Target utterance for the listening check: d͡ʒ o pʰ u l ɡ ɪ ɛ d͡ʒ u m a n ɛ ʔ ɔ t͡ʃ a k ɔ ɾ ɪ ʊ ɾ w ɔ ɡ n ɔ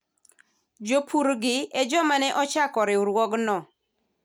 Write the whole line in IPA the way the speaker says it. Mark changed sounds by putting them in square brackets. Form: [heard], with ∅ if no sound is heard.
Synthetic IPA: d͡ʒ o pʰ u [ɾ] ɡ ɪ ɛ d͡ʒ [ɔ] m a n ɛ ʔ ɔ t͡ʃ a k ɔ ɾ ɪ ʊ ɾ w ɔ ɡ n ɔ